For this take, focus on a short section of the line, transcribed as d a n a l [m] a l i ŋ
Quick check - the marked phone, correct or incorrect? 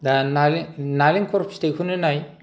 incorrect: n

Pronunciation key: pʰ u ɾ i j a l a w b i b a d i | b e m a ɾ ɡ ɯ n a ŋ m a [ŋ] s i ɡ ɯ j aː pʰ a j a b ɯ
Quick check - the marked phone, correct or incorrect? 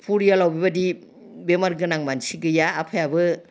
incorrect: n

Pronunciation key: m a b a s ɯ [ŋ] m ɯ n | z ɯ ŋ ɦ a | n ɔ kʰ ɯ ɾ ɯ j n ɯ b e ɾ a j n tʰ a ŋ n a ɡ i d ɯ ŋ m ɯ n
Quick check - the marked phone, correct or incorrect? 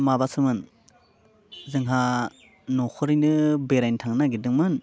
incorrect: none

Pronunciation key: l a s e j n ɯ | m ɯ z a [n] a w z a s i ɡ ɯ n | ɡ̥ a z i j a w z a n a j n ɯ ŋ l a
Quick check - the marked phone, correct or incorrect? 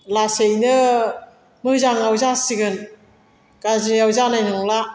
incorrect: ŋ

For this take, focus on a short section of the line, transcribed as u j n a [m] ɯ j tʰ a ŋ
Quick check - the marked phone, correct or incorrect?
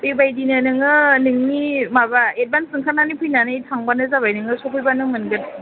incorrect: n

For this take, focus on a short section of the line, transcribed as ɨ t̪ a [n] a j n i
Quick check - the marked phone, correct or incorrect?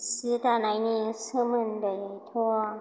correct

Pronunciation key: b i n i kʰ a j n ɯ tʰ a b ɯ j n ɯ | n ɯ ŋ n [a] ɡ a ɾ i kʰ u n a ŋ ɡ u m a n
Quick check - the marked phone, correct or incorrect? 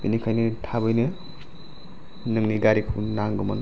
incorrect: i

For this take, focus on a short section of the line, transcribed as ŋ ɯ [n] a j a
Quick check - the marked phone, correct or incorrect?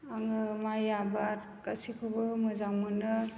incorrect: m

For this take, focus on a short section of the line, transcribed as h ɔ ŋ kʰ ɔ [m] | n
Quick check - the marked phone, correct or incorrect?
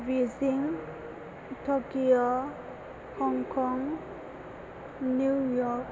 incorrect: ŋ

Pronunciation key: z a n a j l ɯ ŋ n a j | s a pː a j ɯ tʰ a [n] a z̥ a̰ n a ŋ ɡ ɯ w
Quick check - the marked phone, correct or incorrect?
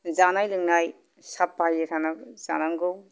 correct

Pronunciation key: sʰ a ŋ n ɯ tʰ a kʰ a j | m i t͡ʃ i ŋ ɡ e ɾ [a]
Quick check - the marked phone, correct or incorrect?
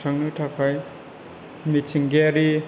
incorrect: i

